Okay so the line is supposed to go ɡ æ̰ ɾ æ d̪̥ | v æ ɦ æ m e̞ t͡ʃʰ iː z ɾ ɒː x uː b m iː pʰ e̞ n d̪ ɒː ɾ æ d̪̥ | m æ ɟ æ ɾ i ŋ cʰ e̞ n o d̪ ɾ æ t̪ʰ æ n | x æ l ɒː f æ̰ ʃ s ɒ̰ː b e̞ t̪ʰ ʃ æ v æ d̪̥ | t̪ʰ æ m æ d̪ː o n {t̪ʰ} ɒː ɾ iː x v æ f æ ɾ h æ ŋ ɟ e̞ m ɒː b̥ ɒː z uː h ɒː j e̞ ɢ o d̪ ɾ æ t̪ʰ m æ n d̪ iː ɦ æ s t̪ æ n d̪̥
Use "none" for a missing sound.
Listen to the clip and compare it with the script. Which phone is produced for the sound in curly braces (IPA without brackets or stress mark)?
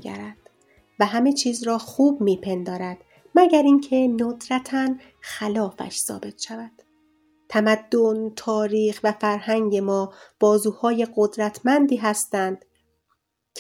t̪ʰ